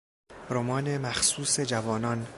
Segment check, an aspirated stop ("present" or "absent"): absent